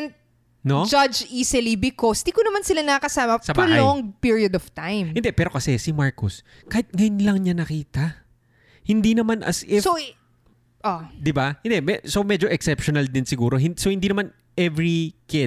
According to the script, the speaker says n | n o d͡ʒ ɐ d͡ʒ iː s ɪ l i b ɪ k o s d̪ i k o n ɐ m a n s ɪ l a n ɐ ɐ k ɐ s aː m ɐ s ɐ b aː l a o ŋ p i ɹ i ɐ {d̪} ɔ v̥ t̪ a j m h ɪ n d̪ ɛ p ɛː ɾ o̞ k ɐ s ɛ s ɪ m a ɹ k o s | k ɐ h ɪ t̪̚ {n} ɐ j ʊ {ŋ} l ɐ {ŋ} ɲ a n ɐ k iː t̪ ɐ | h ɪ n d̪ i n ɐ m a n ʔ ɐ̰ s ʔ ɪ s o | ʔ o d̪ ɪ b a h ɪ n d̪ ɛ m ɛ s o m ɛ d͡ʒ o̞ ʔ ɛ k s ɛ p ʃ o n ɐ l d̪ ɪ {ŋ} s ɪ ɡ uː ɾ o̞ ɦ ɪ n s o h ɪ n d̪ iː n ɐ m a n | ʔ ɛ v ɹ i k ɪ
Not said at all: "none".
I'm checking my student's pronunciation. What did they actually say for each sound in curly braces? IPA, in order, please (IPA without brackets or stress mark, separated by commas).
d̪, ŋ, n, ŋ, n